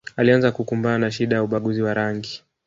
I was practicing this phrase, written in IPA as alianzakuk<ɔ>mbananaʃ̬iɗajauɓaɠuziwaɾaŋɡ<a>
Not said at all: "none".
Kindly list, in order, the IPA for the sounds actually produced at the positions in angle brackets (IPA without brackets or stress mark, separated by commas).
u, i